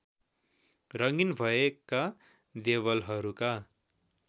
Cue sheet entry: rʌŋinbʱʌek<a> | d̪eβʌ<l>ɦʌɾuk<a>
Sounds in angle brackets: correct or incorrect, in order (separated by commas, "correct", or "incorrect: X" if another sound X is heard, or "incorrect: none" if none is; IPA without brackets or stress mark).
correct, correct, correct